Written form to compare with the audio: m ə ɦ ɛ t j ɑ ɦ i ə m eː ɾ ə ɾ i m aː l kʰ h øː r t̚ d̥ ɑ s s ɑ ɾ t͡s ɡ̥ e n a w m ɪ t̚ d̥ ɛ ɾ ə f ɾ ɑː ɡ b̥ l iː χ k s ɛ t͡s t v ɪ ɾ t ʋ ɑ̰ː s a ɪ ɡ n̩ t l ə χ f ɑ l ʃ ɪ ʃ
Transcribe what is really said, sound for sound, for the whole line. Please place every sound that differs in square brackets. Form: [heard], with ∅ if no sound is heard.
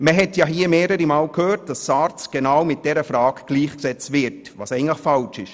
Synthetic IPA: m ə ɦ ɛ t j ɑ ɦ i ə m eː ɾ ə ɾ i m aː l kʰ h øː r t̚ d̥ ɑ s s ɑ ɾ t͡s ɡ̥ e n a w m ɪ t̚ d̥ ɛ ɾ ə f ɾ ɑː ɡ [ɡ̥] l iː χ k s ɛ t͡s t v ɪ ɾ t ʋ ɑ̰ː s [ɛ] ɪ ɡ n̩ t l ə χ f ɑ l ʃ ɪ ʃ